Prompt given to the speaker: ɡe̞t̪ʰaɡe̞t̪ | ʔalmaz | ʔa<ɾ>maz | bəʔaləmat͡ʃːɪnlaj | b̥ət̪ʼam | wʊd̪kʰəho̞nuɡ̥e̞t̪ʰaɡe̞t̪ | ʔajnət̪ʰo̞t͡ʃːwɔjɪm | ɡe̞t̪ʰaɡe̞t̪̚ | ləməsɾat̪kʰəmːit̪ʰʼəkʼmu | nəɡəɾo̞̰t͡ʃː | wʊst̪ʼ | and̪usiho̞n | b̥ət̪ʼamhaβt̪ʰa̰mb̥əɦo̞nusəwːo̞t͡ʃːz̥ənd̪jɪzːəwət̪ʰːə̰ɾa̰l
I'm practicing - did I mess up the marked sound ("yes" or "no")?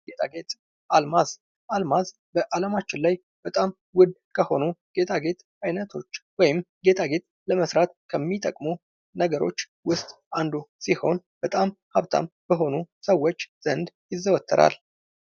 yes